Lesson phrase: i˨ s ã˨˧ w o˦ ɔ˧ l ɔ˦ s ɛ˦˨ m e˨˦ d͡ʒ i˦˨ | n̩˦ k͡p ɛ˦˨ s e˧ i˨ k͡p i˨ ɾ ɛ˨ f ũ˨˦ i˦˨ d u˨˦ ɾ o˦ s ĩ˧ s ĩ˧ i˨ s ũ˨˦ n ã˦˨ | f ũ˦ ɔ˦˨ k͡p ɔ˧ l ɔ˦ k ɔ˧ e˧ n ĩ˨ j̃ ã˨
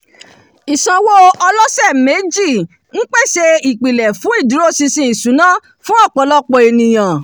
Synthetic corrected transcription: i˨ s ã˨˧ w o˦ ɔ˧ l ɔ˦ s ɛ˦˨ m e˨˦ d͡ʒ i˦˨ | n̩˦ k͡p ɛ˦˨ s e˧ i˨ k͡p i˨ l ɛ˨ f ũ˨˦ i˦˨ d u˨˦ ɾ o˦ s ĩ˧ s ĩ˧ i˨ s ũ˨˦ n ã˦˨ | f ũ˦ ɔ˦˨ k͡p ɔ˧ l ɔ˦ k͡p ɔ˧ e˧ n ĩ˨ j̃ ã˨